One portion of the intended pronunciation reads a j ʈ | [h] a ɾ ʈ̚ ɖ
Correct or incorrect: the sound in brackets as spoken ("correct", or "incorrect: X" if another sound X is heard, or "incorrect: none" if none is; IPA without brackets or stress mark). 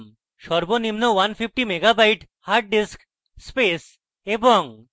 correct